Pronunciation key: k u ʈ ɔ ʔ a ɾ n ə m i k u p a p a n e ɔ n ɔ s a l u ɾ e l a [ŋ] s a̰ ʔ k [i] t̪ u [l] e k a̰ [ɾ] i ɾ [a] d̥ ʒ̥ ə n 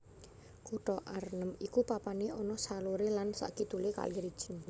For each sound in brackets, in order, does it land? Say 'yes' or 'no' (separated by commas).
no, yes, yes, no, no